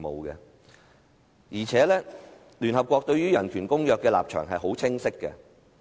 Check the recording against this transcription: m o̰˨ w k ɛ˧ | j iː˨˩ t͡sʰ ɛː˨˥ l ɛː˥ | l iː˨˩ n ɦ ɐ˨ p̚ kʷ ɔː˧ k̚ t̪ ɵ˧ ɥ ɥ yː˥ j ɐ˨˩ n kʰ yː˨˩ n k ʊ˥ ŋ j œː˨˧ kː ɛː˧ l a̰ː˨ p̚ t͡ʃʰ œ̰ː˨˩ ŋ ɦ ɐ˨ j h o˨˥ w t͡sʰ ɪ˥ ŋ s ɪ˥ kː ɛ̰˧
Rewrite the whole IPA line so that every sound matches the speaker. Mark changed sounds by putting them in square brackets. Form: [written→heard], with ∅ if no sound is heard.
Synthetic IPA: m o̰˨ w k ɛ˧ | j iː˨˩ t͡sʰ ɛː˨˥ l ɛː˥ | l [iː˨˩→yː˨˩] n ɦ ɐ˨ p̚ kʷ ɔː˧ k̚ t̪ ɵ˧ ɥ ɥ yː˥ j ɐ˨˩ n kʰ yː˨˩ n k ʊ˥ ŋ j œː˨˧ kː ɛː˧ l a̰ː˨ p̚ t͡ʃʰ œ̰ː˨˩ ŋ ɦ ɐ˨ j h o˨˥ w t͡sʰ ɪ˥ ŋ s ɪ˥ kː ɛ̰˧